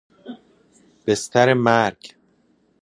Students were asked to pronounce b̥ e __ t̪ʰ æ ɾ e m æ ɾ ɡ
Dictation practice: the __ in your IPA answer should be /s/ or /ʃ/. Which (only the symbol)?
s